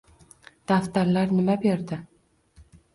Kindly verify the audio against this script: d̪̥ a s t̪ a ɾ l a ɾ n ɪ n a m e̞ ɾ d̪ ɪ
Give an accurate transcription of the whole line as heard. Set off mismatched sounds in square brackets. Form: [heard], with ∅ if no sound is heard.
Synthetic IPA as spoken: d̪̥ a [f] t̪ a ɾ l a ɾ n ɪ [m] a [b] e̞ ɾ d̪ ɪ